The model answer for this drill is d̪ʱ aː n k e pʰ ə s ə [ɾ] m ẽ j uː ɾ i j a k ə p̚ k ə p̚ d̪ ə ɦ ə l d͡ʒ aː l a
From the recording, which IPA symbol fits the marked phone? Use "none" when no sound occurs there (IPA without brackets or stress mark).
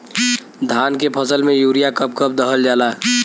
l